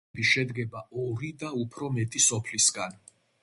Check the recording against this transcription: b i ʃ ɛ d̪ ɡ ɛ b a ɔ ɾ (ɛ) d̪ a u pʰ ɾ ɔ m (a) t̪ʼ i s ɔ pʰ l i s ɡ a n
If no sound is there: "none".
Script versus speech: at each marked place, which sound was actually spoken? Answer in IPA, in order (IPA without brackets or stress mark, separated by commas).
i, ɛ